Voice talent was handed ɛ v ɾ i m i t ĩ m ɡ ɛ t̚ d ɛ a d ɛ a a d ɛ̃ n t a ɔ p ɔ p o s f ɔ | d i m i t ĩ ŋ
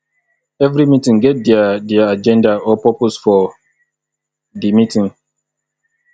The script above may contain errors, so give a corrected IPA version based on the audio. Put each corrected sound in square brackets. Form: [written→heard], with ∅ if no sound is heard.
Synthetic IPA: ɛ v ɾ i m i t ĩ [m→ŋ] ɡ ɛ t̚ d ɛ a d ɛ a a [d→d͡ʒ] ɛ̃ n [t→d] a ɔ p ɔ p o s f ɔ | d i m i t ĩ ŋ